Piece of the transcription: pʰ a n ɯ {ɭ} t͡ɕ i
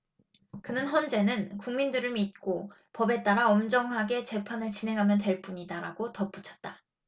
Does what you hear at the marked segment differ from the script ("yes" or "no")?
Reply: no